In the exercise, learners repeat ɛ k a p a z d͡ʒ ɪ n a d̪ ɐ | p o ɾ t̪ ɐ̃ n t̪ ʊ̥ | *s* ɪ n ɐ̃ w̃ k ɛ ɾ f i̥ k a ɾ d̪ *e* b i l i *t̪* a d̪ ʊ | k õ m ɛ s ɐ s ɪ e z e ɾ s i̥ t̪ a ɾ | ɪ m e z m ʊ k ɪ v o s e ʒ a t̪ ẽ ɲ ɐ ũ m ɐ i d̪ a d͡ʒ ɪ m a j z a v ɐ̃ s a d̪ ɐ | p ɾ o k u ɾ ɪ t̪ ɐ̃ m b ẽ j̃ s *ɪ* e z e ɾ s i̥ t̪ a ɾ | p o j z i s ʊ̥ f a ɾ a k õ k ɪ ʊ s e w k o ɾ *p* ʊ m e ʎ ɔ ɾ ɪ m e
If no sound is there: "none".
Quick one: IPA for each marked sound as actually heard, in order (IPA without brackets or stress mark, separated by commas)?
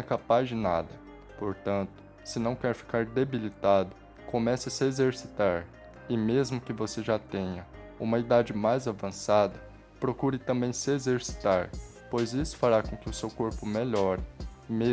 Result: s, e, t̪, ɪ, p